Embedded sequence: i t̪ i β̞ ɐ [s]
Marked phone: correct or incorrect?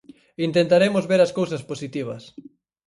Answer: correct